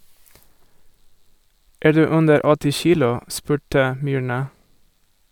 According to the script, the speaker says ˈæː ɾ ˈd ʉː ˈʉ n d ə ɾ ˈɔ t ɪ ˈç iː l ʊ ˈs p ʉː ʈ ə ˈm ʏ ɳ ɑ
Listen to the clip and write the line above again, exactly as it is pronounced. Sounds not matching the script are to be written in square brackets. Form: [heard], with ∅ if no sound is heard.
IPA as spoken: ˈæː ɾ ˈd ʉː ˈʉ n d ə ɾ ˈɔ t ɪ ˈç iː l ʊ ˈs p ʉː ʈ ə ˈm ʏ ɳ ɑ